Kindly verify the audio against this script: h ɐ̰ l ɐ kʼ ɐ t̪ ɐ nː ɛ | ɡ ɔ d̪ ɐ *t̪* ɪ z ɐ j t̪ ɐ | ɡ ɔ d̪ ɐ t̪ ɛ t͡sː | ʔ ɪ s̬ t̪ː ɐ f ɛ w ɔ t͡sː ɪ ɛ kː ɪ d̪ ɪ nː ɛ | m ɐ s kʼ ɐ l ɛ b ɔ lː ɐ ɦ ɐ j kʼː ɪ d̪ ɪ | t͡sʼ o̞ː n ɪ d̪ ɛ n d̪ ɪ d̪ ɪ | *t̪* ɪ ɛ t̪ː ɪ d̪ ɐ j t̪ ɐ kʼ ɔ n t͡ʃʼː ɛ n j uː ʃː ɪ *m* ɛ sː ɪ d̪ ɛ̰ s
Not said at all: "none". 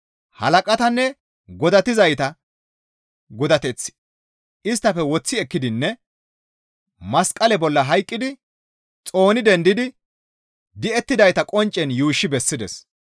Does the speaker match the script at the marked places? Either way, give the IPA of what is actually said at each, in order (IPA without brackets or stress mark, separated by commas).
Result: t̪, d̪, b